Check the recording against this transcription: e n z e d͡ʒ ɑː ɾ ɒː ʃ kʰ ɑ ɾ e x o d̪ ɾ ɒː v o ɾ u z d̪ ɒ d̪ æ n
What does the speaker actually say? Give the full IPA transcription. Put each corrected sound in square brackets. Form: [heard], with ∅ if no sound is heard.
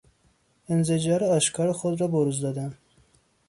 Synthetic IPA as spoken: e n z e d͡ʒ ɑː ɾ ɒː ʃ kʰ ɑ ɾ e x o d̪ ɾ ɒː [b] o ɾ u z d̪ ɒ d̪ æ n